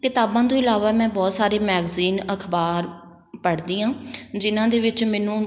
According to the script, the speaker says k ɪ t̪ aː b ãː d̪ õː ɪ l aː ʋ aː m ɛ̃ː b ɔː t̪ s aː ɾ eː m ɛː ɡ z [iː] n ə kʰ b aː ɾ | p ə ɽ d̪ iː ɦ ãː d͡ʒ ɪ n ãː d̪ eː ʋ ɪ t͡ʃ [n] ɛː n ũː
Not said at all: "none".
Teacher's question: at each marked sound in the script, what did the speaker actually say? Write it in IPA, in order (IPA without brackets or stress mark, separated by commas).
iː, m